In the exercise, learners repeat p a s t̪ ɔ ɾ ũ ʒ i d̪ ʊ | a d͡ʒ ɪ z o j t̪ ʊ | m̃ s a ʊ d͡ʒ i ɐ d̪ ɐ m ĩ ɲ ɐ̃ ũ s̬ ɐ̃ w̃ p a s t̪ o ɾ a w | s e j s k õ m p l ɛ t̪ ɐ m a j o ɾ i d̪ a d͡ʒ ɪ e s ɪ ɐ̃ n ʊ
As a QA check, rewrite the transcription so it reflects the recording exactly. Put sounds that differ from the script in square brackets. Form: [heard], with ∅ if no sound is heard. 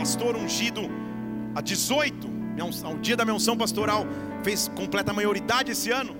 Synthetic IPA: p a s t̪ [o] ɾ ũ ʒ i d̪ ʊ | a d͡ʒ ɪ z o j t̪ ʊ | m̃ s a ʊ d͡ʒ i ɐ d̪ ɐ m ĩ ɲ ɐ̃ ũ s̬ ɐ̃ w̃ p a s t̪ o ɾ a w | [f] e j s k õ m p l ɛ t̪ ɐ m a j o ɾ i d̪ a d͡ʒ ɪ e s ɪ ɐ̃ n ʊ